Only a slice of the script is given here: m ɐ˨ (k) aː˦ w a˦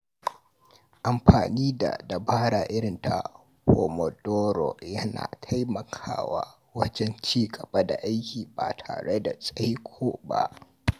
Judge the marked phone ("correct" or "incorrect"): incorrect